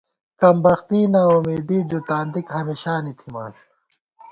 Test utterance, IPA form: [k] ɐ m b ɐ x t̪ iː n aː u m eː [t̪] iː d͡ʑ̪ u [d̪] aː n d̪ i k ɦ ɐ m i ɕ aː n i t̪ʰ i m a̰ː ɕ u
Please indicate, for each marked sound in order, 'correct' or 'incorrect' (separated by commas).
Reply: correct, incorrect, incorrect